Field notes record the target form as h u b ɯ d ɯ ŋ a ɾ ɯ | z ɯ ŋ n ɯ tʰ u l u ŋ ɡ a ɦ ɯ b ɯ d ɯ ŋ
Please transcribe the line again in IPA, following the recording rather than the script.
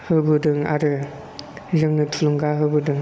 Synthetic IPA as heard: h ɯ b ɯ d ɯ ŋ a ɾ ɯ | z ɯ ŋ n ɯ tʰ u l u ŋ ɡ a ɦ ɯ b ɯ d ɯ ŋ